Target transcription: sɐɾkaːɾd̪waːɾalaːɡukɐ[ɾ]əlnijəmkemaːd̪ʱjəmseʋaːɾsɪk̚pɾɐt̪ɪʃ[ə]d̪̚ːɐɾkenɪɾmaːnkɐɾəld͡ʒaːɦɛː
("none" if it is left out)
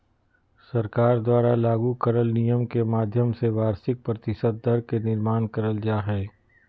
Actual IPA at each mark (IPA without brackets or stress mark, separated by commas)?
ɾ, ə